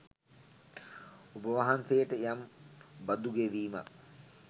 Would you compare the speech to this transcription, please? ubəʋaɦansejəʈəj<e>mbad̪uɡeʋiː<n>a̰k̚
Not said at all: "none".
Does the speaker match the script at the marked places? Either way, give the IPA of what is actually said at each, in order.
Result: a, m

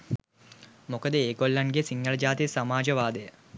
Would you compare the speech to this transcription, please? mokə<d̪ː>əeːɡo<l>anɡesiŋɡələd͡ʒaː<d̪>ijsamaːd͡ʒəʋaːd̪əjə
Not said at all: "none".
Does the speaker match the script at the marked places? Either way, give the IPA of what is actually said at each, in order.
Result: d̪, lː, t̪

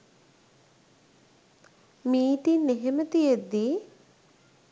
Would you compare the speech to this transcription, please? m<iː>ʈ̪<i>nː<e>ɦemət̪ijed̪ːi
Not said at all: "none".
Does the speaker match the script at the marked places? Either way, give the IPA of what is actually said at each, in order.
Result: iː, i, e

